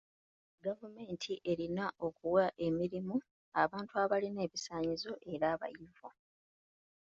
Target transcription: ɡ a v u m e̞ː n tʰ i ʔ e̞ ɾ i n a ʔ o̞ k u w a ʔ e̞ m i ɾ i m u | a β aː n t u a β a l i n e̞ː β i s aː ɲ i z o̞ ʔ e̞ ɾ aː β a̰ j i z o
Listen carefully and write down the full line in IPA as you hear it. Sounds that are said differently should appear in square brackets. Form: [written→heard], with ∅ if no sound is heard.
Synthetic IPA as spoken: ɡ a v u m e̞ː n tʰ i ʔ e̞ ɾ i n a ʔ o̞ k u w a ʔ e̞ m i ɾ i m u | a β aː n t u a β a l i n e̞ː β i s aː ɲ i z o̞ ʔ e̞ ɾ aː β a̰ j i [z→v] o